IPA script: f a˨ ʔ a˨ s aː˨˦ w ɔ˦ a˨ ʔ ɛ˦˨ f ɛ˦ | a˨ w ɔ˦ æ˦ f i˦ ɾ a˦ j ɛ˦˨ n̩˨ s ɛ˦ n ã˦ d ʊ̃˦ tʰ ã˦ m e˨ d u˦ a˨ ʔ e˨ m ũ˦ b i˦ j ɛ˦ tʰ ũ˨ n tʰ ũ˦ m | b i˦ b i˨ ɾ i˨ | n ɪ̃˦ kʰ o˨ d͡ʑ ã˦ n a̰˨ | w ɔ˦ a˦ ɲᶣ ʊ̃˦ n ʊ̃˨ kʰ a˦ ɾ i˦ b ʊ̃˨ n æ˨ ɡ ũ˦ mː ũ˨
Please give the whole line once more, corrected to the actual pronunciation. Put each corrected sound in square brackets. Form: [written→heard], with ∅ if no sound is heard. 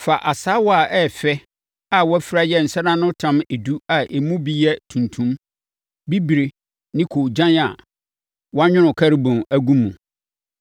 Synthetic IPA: f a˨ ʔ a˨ s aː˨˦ w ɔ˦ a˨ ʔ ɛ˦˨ f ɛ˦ | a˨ w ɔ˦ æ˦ f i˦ ɾ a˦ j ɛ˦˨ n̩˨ s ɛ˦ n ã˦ [d→n] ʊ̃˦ tʰ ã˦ m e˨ d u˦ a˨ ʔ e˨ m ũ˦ b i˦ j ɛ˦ tʰ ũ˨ n tʰ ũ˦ m | b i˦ b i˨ ɾ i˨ | n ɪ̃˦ kʰ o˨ d͡ʑ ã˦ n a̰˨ | w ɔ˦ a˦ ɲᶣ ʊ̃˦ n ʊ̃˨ kʰ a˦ ɾ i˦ b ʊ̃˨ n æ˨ ɡ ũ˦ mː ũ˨